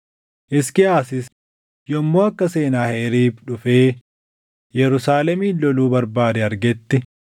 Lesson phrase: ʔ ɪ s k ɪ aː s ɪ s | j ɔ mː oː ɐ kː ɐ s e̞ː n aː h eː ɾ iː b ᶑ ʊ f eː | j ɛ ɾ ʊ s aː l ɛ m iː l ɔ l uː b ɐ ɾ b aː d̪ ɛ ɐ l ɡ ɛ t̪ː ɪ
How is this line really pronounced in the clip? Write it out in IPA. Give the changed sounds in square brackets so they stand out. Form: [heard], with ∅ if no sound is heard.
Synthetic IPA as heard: ʔ ɪ s k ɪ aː s ɪ s | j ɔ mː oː ɐ kː ɐ s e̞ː n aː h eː ɾ iː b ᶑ ʊ f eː | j ɛ ɾ ʊ s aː l ɛ m iː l ɔ l uː b ɐ ɾ b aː d̪ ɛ ɐ [ɾ] ɡ ɛ t̪ː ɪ